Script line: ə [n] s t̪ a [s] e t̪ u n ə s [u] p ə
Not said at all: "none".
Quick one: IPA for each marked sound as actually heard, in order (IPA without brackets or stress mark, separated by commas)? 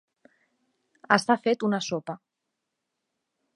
none, f, o